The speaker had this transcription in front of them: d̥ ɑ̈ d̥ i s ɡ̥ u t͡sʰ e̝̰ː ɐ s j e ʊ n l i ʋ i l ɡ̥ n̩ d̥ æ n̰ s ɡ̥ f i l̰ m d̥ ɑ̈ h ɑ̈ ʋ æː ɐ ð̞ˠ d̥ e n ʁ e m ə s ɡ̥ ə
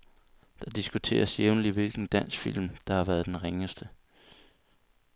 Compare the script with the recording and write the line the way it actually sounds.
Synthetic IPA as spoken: d̥ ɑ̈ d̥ i s ɡ̥ u t͡sʰ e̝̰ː ɐ s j e ʊ n l i ʋ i l ɡ̥ n̩ d̥ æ n̰ s ɡ̥ f i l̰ m d̥ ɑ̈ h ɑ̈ ʋ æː ɐ ð̞ˠ d̥ e n ʁ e ŋ ə s d̥ ə